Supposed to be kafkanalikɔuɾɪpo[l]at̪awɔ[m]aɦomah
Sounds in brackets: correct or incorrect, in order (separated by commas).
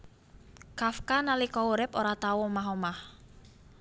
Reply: incorrect, correct